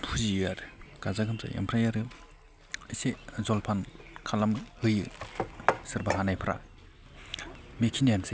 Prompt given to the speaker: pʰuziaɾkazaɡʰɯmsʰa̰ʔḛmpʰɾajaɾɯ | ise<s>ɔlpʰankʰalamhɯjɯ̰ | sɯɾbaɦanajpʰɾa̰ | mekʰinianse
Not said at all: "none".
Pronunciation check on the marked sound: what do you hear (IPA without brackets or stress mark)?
z